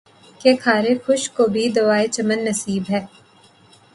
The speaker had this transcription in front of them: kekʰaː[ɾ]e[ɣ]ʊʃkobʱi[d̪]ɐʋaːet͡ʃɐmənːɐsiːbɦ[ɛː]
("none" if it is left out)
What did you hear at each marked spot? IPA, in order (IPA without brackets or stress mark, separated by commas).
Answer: ɾ, x, d̪, ɛː